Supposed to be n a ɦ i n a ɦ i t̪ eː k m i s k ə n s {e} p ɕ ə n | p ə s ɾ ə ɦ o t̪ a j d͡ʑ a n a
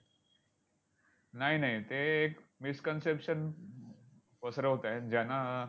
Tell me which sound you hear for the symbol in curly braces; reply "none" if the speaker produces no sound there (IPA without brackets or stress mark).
e